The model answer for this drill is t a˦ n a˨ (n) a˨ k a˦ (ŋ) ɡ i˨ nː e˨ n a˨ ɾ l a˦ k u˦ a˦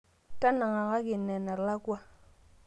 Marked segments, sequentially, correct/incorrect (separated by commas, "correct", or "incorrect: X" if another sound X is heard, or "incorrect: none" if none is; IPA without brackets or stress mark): incorrect: ŋ, incorrect: none